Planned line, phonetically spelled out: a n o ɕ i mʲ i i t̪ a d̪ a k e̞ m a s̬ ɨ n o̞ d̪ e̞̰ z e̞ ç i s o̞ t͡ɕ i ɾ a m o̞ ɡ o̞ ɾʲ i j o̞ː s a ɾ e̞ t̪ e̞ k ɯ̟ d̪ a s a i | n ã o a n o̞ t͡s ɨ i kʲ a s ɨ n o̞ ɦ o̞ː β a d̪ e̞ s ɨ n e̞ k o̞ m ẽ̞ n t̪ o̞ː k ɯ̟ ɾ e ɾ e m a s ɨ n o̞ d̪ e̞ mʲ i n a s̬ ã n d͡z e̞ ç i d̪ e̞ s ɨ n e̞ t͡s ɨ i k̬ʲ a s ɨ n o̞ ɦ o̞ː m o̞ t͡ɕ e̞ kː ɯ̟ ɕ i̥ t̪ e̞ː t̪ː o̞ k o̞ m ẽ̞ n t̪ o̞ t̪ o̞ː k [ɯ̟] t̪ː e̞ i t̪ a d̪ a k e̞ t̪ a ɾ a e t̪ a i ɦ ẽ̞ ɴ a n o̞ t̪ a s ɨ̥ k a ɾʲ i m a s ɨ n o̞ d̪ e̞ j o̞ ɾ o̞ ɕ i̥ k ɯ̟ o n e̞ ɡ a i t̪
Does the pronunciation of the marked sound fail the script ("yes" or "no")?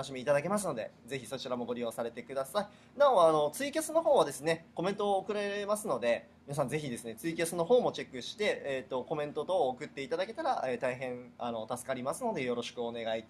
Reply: no